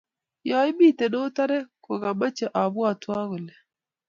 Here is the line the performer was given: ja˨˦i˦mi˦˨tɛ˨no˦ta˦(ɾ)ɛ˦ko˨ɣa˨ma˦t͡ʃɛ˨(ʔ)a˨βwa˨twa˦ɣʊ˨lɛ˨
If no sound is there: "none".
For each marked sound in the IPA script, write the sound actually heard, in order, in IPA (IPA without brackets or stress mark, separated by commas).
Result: ɾ, ʔ